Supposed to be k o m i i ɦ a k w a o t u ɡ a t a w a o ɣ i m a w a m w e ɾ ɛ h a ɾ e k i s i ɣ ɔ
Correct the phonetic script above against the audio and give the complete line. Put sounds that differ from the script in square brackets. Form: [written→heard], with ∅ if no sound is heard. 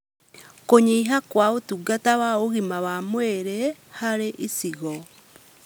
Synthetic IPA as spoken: k o [m→ɲ] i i ɦ a k w a o t u ɡ a t a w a o ɣ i m a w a m w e ɾ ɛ h a ɾ e [k→ʔ] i s i ɣ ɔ